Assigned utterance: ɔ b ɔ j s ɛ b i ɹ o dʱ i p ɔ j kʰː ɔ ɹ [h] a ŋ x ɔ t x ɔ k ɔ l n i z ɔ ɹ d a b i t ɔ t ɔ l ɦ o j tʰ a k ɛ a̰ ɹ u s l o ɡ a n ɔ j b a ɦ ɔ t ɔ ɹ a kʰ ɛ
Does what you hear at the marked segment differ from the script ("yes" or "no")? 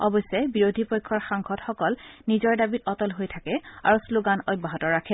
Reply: yes